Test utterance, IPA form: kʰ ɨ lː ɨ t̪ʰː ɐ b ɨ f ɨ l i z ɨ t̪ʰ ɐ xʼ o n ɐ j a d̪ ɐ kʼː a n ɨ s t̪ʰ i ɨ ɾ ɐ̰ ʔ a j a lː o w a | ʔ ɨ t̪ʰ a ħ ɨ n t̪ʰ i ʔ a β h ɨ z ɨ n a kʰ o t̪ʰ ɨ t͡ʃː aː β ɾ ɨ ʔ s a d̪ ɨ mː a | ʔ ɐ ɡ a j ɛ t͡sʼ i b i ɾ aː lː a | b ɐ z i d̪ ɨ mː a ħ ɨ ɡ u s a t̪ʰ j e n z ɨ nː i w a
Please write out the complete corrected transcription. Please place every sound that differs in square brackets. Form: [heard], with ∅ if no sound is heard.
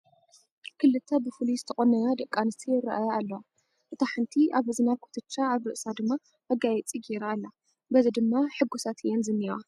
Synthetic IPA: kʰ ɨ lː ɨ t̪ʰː ɐ b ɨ f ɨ l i z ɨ t̪ʰ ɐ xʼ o n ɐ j a d̪ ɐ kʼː a n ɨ s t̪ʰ i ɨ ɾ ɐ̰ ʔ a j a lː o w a | ʔ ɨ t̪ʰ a ħ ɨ n t̪ʰ i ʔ a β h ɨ z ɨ n a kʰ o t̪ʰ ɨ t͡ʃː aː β ɾ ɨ ʔ s a d̪ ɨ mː a | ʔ ɐ ɡ a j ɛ t͡sʼ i [ɡ] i ɾ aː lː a | b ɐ z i d̪ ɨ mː a ħ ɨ ɡ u s a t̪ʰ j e n z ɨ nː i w a